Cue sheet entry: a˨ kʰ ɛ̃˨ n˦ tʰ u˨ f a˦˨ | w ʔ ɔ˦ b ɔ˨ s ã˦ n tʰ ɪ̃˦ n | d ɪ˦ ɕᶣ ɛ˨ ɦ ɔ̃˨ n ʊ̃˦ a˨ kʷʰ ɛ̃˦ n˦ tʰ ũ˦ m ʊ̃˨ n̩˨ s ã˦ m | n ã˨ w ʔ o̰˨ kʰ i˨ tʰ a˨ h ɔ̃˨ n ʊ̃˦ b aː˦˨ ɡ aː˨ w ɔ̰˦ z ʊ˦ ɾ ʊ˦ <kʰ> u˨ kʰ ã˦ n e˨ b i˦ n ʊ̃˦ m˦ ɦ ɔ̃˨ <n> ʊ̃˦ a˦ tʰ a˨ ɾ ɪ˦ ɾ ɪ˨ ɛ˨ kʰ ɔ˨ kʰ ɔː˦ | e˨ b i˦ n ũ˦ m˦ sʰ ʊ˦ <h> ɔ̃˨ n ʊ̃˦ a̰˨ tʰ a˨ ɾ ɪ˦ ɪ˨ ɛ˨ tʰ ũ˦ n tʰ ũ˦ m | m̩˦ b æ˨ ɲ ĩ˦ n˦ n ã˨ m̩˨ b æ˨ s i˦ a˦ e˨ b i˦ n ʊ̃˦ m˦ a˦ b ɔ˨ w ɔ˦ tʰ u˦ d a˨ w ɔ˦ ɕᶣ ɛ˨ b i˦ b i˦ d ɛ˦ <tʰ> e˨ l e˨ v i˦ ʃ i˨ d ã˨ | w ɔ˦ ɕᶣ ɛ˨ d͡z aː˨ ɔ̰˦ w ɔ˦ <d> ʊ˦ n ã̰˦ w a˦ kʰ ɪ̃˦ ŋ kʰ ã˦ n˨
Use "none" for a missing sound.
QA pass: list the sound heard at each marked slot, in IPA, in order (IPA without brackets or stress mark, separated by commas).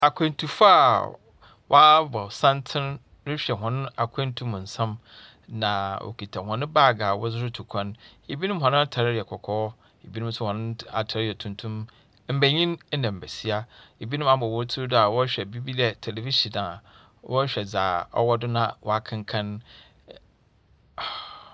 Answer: tʰ, n, h, tʰ, d